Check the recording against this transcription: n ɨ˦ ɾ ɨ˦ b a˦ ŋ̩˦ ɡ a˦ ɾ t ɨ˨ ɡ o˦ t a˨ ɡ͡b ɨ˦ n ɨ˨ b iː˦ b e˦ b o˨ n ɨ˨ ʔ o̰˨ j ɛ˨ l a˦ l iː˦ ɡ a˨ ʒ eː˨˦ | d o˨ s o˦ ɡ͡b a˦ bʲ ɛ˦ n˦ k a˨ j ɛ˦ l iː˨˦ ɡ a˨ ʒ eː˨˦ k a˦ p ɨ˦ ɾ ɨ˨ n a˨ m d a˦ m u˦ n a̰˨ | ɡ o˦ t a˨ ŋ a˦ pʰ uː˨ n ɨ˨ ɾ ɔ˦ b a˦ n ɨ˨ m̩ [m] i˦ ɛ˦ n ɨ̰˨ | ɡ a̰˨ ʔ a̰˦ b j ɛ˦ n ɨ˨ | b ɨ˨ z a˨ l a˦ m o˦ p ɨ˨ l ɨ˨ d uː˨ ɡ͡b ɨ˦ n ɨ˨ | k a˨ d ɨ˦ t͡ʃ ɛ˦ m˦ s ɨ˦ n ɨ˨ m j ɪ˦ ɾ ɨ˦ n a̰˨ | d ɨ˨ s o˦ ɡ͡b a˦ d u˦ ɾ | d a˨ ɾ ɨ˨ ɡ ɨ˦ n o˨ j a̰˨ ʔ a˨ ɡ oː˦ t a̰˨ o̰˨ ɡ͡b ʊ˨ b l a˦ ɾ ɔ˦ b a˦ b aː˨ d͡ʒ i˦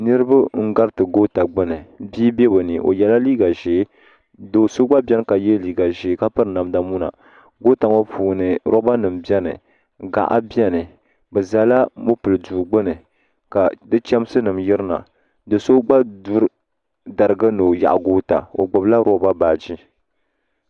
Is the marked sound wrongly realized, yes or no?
yes